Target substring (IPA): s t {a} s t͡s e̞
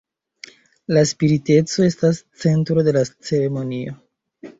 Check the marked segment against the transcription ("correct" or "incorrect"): correct